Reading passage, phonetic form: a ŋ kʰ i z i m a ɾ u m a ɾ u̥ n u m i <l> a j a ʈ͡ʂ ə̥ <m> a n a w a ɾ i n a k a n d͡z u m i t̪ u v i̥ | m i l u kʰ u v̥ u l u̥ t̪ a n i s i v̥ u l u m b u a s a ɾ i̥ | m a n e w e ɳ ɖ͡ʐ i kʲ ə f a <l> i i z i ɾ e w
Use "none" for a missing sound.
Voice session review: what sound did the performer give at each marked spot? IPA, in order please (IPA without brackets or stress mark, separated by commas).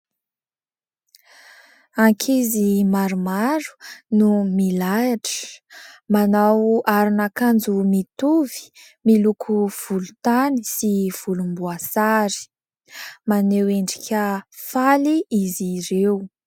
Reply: l, m, l